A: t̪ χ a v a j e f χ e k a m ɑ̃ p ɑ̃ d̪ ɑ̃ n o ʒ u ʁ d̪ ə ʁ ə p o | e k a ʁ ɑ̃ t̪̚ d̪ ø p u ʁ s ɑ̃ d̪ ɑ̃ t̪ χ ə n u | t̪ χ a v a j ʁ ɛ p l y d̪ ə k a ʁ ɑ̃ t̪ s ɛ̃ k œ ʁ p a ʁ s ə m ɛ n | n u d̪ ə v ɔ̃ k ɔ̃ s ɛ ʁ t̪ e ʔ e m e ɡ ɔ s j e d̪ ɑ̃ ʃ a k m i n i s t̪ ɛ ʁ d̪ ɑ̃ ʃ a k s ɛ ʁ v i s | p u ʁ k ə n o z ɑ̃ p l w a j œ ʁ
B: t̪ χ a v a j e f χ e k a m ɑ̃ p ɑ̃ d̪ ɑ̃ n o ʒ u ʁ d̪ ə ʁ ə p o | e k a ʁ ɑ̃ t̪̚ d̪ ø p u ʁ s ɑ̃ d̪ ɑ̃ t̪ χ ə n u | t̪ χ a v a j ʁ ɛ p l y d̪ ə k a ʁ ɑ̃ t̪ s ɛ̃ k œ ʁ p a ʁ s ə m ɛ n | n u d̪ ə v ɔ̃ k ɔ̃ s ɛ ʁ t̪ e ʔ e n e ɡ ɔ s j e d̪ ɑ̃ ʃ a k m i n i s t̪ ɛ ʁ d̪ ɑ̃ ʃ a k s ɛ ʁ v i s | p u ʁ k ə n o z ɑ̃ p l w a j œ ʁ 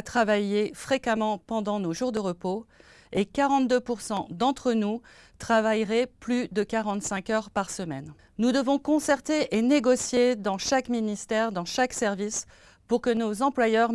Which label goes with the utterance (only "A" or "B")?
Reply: B